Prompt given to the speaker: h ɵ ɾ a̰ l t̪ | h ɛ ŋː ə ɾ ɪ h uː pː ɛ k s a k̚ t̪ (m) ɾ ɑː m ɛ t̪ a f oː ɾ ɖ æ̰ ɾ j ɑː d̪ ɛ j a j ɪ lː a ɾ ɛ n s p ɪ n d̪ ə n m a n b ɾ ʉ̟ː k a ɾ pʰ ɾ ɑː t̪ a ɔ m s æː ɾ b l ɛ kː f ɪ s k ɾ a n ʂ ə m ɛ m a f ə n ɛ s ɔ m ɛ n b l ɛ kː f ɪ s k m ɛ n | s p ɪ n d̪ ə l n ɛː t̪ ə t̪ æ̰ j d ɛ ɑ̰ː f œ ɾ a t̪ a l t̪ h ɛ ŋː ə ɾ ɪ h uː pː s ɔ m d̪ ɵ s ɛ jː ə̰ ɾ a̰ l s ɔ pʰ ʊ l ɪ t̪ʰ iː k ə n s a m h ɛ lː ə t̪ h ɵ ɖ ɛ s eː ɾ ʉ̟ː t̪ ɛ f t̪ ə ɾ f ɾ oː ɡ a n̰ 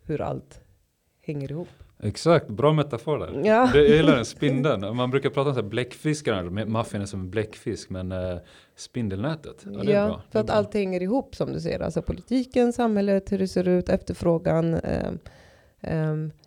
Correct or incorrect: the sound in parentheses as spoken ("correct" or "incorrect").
incorrect